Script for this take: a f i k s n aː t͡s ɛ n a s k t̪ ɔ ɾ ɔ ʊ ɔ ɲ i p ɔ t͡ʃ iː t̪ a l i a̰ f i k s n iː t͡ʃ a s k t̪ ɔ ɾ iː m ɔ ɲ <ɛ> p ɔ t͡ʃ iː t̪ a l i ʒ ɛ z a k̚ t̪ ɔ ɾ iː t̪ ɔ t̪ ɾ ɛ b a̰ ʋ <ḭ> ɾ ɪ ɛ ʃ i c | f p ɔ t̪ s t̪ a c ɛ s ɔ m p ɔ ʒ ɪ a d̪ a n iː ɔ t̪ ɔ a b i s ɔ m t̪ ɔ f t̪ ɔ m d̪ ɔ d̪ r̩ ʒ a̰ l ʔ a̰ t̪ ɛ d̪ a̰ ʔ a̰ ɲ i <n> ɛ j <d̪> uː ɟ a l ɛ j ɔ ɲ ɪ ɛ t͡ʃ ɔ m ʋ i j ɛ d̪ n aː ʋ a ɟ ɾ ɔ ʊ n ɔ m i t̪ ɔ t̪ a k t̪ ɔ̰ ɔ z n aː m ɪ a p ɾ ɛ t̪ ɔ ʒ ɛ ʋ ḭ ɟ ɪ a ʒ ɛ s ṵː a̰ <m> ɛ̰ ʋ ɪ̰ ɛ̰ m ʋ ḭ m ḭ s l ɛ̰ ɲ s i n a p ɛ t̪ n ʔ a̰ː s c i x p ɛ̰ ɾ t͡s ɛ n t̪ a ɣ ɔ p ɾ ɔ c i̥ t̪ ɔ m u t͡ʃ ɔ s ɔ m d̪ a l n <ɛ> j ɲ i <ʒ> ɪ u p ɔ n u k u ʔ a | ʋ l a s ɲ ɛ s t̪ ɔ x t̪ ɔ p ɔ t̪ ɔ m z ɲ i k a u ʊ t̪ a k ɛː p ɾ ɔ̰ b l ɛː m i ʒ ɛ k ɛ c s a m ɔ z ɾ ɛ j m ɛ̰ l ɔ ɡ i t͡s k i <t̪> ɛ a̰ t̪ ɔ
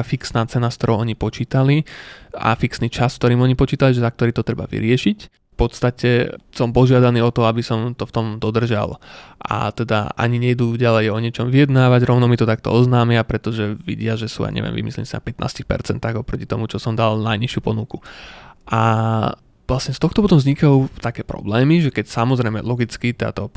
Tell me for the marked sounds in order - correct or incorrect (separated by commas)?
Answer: incorrect, correct, incorrect, correct, incorrect, incorrect, incorrect, correct